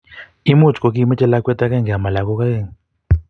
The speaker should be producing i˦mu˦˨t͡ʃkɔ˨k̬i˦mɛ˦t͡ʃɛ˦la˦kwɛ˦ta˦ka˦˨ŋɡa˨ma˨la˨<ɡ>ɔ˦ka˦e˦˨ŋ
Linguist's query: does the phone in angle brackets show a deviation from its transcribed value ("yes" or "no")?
yes